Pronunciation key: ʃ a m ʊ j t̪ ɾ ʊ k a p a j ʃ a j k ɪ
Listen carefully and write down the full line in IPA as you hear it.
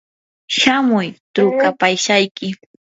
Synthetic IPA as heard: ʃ a m ʊ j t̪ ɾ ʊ k a p a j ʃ a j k ɪ